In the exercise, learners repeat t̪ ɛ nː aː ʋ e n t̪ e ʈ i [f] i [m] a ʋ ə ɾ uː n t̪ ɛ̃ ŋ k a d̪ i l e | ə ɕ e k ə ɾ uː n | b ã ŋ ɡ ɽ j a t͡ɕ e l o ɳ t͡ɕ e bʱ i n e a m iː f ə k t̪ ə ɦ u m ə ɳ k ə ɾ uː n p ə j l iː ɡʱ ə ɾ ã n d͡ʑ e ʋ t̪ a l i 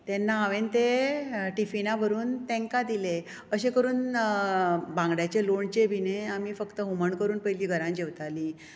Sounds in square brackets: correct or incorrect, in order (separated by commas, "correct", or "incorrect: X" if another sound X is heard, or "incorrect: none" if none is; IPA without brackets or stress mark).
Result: correct, incorrect: n